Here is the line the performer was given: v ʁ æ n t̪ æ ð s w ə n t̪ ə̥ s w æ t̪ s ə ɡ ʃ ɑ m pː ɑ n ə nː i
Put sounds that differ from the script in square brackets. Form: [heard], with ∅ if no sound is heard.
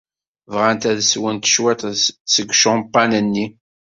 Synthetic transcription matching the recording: v ʁ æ n t̪ æ ð s w ə n t̪ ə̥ [ʃ] w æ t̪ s ə ɡ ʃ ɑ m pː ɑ n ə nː i

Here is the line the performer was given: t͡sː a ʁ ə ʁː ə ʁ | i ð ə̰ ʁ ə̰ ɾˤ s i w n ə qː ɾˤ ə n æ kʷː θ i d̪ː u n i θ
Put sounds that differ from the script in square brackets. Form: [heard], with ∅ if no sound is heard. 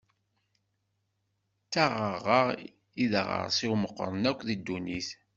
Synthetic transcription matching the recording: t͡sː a ʁ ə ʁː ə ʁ | i ð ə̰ ʁ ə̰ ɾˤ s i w [m] ə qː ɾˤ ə n æ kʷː [ð] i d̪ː u n i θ

